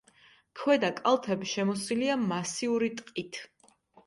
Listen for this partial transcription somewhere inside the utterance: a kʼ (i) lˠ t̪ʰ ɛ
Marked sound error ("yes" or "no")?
yes